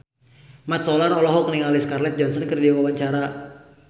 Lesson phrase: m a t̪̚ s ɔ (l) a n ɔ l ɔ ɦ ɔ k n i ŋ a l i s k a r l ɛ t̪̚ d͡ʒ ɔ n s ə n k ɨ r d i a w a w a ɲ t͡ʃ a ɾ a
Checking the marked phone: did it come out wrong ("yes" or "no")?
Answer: no